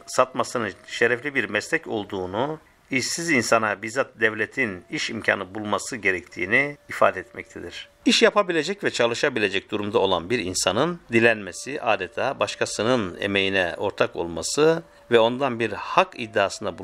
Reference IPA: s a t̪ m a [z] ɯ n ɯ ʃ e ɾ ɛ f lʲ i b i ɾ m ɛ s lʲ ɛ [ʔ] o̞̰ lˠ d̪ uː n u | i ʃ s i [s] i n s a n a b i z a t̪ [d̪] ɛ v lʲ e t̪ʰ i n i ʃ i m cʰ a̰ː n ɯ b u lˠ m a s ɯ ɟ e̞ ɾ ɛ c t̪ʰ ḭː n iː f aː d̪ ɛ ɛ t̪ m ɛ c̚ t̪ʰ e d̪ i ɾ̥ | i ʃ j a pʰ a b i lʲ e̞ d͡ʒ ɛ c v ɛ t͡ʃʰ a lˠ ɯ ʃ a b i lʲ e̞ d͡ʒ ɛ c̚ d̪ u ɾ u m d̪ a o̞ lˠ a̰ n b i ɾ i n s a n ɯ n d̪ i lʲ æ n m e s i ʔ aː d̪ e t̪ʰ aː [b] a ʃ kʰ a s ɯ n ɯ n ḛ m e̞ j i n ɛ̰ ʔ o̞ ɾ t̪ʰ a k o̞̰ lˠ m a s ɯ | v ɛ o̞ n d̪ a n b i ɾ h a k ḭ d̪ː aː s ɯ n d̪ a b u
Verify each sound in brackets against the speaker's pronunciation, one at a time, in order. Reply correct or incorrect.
incorrect, incorrect, incorrect, correct, correct

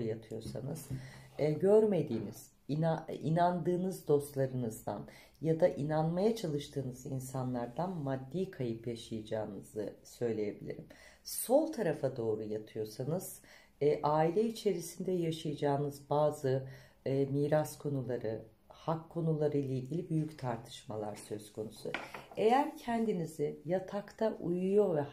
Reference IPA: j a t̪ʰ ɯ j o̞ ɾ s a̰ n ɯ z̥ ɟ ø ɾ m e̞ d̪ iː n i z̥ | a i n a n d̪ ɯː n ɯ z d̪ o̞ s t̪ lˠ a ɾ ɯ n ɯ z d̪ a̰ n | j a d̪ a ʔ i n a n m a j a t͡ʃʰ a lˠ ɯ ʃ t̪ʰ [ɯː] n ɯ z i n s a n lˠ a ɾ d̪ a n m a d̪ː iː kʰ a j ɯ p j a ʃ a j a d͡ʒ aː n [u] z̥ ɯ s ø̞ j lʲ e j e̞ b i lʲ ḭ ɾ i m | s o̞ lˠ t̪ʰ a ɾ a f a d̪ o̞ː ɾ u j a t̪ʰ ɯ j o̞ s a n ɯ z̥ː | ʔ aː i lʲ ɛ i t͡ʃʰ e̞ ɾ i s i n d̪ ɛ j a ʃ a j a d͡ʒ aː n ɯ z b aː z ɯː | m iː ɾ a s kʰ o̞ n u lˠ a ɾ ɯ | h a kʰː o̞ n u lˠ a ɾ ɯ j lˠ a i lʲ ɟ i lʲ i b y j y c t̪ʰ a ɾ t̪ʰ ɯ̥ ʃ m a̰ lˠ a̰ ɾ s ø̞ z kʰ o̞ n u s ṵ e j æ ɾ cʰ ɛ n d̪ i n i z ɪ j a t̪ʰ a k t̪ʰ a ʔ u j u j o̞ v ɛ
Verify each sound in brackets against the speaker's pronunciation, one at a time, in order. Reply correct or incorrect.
correct, incorrect

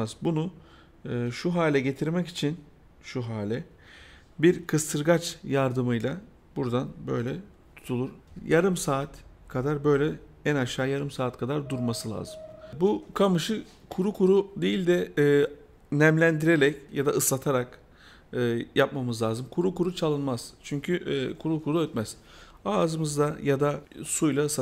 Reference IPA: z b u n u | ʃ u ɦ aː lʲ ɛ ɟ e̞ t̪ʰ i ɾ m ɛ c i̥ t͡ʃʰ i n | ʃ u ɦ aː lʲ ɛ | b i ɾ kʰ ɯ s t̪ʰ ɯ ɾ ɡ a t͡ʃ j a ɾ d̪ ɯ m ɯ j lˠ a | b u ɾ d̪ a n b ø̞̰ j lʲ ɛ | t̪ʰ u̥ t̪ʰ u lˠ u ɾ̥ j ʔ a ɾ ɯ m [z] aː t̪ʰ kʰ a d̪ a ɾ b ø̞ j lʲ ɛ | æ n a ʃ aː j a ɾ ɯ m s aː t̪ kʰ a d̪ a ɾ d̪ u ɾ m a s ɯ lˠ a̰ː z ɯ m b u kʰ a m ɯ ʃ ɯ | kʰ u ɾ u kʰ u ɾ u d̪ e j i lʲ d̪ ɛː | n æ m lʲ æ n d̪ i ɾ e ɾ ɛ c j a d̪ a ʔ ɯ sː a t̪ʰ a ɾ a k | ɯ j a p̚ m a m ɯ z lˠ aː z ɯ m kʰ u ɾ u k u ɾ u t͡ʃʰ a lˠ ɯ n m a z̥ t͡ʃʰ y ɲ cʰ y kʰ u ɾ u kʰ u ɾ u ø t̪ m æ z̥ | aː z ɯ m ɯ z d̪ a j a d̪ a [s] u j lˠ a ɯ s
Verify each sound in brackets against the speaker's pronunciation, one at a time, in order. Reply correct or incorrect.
incorrect, correct

